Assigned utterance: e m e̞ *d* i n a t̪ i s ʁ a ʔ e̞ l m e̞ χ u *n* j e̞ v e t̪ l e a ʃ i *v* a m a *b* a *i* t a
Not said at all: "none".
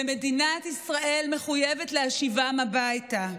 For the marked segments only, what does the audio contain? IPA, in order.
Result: d, none, v, b, j

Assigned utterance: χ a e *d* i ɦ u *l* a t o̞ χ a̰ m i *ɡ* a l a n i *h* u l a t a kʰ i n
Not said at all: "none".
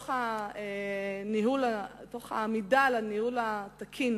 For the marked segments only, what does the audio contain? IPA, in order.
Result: n, l, d, h

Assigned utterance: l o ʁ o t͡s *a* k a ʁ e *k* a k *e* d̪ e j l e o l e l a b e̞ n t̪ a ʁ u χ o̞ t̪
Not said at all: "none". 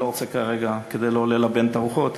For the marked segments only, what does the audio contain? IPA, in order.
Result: e, ɡ, e

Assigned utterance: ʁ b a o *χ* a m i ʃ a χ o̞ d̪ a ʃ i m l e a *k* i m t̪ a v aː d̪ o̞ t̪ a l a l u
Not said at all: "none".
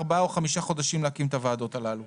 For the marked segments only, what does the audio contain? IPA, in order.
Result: χ, k

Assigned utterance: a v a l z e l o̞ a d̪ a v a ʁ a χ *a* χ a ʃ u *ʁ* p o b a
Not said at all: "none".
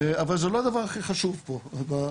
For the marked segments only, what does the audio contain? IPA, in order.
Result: i, v

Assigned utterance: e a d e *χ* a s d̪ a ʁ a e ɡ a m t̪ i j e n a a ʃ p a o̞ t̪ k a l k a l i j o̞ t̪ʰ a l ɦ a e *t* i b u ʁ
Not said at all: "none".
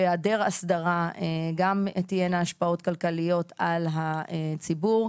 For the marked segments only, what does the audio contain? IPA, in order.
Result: ʁ, t͡s

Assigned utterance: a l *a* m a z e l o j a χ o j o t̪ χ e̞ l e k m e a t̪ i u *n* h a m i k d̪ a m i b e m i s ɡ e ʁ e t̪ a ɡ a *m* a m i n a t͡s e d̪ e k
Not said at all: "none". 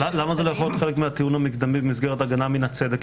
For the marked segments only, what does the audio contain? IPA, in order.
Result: a, n, n

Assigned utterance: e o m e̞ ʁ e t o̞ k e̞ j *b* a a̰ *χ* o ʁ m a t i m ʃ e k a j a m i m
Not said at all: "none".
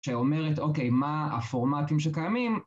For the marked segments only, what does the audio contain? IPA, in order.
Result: m, f

